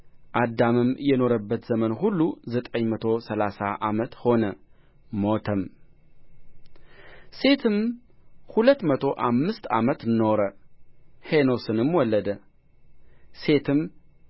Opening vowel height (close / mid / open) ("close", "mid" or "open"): open